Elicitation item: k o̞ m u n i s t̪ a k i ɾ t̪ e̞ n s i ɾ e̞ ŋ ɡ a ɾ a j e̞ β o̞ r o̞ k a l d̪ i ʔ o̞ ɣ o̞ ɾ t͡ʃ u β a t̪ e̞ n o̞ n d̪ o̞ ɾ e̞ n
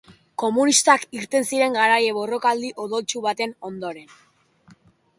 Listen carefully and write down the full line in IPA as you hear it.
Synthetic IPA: k o̞ m u n i s t̪ a k i ɾ t̪ e̞ n s i ɾ e̞ ŋ ɡ a ɾ a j e̞ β o̞ r o̞ k a l d̪ i ʔ o̞ ð o̞ l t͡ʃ u β a t̪ e̞ n o̞ n d̪ o̞ ɾ e̞ n